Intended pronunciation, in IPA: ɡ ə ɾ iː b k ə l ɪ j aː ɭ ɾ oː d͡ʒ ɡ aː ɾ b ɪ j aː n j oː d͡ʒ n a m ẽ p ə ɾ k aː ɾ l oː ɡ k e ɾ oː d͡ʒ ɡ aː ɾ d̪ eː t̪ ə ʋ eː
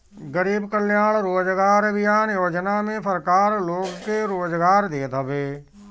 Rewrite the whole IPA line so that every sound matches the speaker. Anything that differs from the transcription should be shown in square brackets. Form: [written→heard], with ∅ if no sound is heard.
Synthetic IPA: ɡ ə ɾ iː b k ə l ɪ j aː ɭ ɾ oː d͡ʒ ɡ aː ɾ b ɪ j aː n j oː d͡ʒ n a m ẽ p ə ɾ k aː ɾ l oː ɡ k e ɾ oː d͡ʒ ɡ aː ɾ d̪ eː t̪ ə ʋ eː